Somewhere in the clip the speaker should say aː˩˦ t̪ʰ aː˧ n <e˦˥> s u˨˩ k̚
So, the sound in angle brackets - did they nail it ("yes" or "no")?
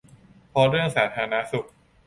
no